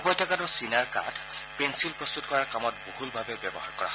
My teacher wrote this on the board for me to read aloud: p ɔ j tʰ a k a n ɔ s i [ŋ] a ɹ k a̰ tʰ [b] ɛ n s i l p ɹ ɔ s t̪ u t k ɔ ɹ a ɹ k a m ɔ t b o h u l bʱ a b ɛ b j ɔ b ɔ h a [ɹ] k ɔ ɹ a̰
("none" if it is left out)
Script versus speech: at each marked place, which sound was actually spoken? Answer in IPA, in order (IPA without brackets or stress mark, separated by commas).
n, p, ɹ